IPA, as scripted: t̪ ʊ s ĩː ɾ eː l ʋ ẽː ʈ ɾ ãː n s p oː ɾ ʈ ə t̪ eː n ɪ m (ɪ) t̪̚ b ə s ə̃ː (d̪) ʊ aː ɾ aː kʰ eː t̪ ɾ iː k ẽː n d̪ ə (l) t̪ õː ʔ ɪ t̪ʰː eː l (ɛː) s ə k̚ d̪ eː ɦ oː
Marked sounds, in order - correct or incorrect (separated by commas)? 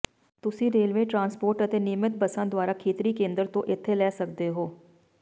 correct, correct, incorrect, correct